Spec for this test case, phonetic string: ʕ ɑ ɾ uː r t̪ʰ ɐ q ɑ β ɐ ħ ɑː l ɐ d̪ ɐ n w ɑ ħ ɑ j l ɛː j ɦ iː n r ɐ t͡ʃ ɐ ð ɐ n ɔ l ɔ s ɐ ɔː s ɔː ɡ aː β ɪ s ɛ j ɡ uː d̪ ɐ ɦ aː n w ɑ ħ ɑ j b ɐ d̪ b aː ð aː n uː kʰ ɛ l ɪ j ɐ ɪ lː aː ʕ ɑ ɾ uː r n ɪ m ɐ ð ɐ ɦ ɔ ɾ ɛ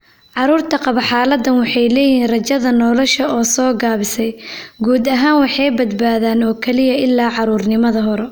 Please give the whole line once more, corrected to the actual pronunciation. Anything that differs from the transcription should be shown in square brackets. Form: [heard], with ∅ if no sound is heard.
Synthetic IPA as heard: ʕ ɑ ɾ uː r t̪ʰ ɐ q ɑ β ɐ ħ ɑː l ɐ d̪ ɐ n w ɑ ħ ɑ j l ɛː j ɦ iː n r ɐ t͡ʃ ɐ ð ɐ n ɔ l ɔ [ʃ] ɐ ɔː s ɔː ɡ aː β ɪ s ɛ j ɡ uː d̪ ɐ ɦ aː n w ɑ ħ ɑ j b ɐ d̪ b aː ð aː n [ɔː] kʰ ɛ l ɪ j ɐ ɪ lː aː ʕ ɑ ɾ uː r n ɪ m ɐ ð ɐ ɦ ɔ ɾ ɛ